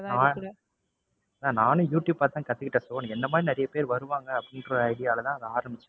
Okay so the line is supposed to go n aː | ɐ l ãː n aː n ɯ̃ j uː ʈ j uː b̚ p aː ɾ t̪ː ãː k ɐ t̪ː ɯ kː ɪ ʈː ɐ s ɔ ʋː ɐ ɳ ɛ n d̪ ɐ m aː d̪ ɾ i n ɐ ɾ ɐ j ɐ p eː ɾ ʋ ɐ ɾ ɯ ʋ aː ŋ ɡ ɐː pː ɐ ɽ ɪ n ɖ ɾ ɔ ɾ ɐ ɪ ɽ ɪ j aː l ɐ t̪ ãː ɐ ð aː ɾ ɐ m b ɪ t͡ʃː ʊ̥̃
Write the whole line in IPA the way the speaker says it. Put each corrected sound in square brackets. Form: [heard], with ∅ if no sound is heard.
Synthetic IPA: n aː | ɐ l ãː n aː n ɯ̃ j uː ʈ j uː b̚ p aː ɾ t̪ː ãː k ɐ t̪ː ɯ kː ɪ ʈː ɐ s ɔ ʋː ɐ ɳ ɛ n d̪ ɐ m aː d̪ ɾ i n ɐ ɾ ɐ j ɐ p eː ɾ ʋ ɐ ɾ ɯ ʋ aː ŋ ɡ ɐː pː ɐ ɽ ɪ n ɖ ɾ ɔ ɾ ɐ ɪ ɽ ɪ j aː l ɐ t̪ ãː ɐ ð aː ɾ ɐ m b ɪ t͡ʃː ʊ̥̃